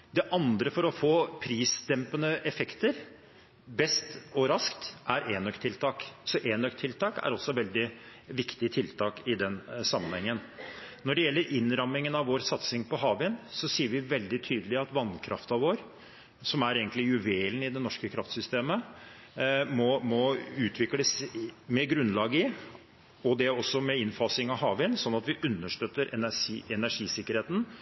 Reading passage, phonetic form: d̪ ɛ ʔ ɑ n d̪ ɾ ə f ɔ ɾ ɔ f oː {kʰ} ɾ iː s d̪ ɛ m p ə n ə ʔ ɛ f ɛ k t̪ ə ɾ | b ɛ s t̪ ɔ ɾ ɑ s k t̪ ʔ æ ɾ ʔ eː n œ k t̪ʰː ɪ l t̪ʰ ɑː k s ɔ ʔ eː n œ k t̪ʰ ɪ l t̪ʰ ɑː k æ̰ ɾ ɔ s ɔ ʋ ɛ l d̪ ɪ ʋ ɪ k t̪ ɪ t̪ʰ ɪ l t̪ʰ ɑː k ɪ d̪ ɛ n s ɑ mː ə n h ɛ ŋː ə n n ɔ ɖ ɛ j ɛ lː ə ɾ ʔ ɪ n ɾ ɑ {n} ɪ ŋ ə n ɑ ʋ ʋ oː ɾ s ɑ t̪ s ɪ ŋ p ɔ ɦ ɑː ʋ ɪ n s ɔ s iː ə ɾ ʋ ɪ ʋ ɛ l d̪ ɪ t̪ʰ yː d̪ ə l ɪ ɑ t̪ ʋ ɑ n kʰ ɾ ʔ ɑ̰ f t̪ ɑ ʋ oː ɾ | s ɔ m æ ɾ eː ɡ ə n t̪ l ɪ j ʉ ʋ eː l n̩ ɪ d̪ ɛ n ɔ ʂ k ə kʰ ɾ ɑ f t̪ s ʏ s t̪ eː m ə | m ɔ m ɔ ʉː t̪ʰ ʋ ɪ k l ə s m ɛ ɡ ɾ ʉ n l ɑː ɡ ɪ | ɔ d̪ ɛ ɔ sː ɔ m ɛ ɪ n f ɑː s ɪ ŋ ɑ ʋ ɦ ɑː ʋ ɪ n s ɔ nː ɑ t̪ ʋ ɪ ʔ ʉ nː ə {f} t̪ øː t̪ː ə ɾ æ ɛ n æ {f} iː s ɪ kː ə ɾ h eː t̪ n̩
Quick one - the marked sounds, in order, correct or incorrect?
incorrect, incorrect, incorrect, incorrect

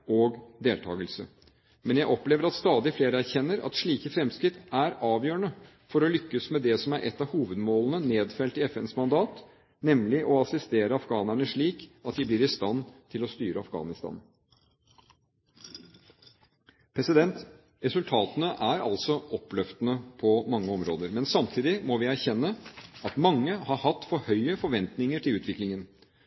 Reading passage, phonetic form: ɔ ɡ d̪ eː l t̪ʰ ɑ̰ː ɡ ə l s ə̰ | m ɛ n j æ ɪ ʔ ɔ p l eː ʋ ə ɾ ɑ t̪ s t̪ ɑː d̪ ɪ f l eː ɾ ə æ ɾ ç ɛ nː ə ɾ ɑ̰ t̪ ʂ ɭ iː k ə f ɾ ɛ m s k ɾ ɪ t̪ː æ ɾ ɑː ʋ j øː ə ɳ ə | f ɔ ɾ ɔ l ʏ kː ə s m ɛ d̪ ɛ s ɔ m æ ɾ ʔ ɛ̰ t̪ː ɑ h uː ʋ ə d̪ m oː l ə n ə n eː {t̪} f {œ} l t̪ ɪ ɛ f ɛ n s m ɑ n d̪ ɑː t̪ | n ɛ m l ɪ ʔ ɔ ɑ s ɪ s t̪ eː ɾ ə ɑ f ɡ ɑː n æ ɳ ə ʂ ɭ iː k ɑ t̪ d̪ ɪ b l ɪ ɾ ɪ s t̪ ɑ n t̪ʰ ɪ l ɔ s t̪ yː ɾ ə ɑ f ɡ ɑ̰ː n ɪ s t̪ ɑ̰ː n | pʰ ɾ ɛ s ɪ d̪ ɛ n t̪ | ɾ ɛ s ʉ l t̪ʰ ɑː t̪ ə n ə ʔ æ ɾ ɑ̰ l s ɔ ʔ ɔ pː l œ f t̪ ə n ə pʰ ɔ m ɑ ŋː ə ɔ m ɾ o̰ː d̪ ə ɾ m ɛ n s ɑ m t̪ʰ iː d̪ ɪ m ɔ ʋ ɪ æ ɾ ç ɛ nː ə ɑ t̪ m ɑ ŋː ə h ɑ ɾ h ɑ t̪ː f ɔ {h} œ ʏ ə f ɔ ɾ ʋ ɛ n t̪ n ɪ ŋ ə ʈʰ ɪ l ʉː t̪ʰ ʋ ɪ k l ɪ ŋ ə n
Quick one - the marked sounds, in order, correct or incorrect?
incorrect, incorrect, correct

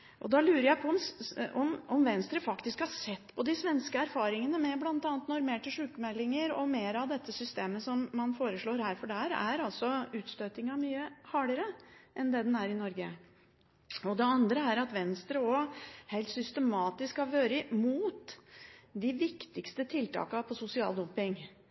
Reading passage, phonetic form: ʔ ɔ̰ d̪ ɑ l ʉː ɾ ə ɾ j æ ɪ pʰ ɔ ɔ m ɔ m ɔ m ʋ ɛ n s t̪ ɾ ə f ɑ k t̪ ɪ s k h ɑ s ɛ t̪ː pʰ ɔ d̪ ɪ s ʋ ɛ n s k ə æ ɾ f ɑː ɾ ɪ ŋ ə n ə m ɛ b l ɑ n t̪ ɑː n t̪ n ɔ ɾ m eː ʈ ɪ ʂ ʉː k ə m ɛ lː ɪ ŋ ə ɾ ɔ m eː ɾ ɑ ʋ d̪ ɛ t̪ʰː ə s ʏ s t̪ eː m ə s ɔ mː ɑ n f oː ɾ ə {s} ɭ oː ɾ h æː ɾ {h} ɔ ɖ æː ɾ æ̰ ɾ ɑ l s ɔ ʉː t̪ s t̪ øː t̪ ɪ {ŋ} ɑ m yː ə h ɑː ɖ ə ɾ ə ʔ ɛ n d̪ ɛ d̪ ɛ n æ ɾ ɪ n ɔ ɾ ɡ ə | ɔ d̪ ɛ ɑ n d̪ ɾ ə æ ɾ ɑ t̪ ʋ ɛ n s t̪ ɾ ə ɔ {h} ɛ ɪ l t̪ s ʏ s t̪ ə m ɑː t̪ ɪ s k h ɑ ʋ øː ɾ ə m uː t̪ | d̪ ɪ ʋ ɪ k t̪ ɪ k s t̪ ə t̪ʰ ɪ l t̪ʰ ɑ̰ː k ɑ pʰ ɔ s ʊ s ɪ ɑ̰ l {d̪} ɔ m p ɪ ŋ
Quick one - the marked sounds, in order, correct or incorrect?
incorrect, incorrect, correct, correct, correct

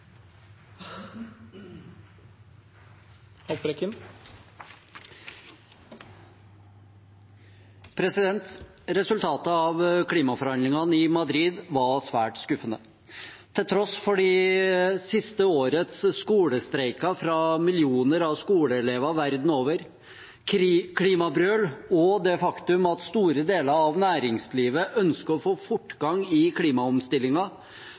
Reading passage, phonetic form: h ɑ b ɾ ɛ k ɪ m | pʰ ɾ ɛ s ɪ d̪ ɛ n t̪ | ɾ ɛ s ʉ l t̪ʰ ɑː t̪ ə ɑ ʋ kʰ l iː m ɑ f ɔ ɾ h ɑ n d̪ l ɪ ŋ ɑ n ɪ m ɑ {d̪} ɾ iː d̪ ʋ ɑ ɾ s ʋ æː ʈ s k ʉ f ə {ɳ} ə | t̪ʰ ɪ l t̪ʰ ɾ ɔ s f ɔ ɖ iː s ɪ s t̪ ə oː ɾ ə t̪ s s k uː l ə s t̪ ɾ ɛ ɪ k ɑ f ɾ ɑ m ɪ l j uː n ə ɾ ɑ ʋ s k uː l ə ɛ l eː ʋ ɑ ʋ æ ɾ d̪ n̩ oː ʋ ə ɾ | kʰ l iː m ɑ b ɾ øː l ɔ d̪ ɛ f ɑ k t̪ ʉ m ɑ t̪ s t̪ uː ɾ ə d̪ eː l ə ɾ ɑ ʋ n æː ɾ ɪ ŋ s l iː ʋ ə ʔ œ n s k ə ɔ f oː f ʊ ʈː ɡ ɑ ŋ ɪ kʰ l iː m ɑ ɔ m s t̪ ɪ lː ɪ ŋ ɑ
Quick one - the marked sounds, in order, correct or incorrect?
correct, incorrect

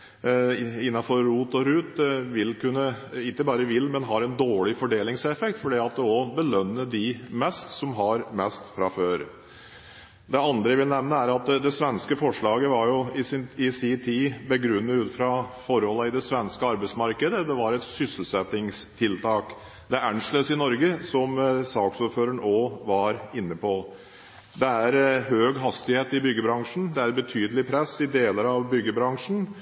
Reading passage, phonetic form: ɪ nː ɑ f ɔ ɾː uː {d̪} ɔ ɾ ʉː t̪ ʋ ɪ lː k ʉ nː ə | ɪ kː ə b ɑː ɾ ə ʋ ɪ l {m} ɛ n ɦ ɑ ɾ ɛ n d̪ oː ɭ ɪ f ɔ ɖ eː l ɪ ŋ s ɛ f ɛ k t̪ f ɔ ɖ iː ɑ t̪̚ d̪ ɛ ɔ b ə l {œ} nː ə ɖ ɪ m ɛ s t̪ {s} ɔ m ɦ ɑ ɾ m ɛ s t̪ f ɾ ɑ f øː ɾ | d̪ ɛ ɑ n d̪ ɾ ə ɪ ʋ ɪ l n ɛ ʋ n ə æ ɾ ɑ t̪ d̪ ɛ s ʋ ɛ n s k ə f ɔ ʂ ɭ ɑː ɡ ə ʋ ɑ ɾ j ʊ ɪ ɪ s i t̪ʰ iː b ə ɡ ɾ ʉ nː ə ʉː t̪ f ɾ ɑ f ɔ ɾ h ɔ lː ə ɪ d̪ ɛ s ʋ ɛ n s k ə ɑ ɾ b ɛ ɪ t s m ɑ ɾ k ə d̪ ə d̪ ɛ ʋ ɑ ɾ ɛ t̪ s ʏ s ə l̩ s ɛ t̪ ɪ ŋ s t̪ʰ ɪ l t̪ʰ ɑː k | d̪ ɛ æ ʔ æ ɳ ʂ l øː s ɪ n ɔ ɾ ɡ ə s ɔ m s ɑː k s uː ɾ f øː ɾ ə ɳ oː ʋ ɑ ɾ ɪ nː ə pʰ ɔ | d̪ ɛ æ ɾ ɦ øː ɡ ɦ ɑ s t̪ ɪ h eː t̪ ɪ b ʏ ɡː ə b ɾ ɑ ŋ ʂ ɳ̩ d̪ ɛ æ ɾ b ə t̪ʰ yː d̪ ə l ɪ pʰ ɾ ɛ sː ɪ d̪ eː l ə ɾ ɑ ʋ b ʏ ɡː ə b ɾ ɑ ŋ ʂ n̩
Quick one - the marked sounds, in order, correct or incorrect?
incorrect, correct, correct, correct

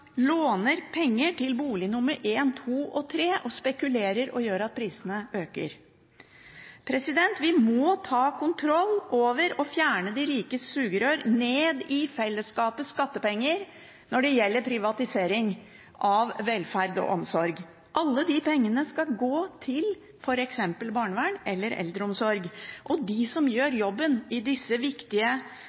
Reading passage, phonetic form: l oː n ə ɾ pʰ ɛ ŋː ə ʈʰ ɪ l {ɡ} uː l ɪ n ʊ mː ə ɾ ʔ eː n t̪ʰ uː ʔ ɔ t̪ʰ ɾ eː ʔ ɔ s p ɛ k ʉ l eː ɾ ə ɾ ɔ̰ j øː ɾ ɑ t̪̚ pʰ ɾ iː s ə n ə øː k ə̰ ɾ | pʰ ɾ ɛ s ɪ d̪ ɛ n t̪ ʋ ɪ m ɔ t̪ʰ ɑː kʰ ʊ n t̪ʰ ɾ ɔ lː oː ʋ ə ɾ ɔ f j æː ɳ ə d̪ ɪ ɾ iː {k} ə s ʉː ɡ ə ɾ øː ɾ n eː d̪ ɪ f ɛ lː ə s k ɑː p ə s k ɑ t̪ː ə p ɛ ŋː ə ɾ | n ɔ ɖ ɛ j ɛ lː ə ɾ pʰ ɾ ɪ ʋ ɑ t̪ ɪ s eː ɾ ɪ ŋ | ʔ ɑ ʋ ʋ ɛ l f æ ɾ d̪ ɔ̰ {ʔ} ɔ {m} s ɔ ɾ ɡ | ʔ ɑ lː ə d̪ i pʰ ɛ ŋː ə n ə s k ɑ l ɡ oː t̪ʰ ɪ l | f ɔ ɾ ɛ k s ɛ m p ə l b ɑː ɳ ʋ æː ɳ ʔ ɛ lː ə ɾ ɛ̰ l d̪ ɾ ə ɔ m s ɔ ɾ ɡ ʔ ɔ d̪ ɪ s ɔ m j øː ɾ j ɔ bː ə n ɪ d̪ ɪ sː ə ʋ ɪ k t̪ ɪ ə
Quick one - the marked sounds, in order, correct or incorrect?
incorrect, correct, correct, correct

